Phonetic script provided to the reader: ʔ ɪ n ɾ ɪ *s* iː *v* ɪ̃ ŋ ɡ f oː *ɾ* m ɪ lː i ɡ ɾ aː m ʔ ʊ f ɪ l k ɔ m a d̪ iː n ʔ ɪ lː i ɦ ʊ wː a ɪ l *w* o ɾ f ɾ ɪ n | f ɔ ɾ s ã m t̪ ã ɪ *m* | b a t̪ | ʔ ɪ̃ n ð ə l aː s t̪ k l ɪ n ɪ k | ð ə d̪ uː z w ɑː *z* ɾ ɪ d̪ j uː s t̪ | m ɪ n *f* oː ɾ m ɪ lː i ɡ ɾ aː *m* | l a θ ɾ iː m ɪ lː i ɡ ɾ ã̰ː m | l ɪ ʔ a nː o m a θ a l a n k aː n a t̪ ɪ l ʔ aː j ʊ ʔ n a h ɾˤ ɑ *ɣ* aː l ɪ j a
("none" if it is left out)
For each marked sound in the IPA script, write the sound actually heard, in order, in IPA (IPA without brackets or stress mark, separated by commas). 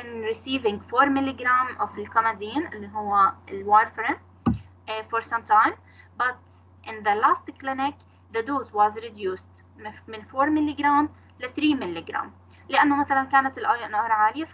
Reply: s, v, ɾ, w, m, z, f, m, ʕ